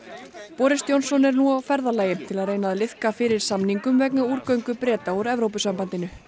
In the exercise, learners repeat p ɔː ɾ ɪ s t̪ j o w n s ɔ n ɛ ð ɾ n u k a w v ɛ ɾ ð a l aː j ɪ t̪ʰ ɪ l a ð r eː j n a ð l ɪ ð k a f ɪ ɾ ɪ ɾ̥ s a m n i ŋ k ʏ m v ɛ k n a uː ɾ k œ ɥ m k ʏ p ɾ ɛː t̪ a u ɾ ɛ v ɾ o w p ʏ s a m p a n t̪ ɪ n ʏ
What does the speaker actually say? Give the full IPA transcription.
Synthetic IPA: p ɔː ɾ ɪ s t̪ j o w n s ɔ n ɛ ɾ n u a w f ɛ ɾ ð a l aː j ɪ t̪ʰ ɪ l a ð r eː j n a ð l ɪ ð k a f ɪ ɾ ɪ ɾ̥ s a m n i ŋ k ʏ m v ɛ k n a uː ɾ k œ ɥ ŋ k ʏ p ɾ ɛː t̪ a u ɾ ɛ v ɾ o w p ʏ s a m p a n t̪ ɪ n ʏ